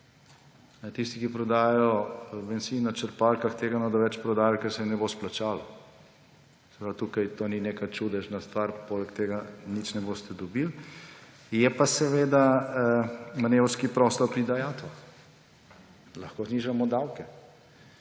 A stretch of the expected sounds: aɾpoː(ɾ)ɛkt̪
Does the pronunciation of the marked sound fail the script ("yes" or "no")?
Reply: yes